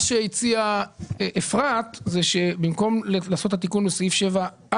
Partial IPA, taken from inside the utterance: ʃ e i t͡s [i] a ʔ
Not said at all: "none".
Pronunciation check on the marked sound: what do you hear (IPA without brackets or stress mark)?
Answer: i